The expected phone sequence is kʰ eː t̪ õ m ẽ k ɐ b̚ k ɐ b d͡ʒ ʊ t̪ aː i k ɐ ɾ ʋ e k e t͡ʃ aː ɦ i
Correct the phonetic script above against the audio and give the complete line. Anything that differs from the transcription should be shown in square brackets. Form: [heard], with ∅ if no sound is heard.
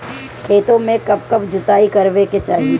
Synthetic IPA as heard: kʰ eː t̪ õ m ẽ k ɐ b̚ k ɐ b d͡ʒ ʊ t̪ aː i k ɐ ɾ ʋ e k e t͡ʃ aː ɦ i